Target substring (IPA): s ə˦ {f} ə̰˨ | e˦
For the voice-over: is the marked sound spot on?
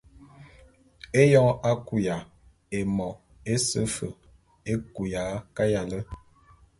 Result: yes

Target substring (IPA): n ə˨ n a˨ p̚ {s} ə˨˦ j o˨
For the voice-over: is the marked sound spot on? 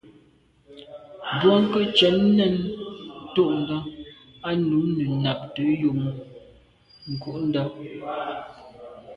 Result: no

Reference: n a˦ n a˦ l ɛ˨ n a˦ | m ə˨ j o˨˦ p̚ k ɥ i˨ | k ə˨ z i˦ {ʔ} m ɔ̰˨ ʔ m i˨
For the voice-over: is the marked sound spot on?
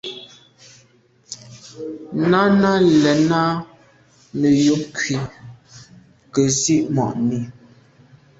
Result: yes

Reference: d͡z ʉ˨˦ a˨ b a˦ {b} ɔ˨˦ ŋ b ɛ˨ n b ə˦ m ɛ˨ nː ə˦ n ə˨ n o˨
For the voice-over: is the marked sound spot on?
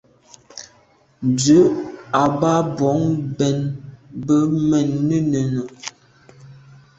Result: yes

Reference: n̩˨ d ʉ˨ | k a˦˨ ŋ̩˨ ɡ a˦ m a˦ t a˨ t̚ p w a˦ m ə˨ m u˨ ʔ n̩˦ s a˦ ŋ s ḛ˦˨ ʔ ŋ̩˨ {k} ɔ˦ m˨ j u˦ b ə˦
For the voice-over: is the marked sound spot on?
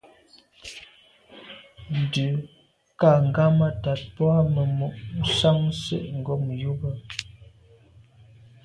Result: no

